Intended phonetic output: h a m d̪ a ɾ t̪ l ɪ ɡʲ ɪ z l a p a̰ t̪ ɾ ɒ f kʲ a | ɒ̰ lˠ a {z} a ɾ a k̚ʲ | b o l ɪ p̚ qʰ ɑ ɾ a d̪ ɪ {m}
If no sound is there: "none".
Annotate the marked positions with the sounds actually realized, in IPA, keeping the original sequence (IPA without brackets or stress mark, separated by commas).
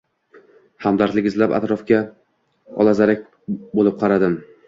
z, m